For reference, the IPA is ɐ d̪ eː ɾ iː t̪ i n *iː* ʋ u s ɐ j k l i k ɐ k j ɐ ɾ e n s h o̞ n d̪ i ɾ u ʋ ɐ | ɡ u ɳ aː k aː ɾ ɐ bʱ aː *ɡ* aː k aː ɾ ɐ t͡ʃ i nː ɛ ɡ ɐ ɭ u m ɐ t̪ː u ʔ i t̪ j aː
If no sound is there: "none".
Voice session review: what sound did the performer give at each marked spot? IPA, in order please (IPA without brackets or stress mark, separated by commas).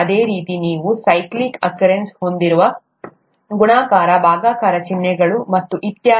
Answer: iː, ɡ